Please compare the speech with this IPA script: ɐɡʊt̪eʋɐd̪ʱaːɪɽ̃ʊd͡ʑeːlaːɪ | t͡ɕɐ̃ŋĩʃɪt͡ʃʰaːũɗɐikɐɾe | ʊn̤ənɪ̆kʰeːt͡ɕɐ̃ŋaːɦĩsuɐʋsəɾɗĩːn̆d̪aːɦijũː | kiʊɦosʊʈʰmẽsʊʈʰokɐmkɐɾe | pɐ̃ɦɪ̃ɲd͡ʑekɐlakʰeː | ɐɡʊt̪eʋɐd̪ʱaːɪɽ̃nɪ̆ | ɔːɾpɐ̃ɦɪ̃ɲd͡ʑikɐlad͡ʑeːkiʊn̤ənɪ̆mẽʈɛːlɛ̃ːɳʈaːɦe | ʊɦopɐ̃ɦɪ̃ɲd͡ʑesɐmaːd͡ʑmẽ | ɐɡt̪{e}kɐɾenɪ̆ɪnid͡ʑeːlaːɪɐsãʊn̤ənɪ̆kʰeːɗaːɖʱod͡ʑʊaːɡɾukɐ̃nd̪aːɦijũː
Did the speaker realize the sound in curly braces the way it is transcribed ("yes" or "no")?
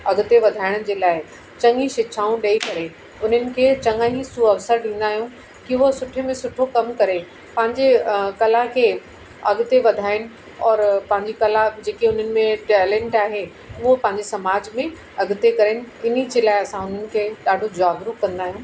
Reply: yes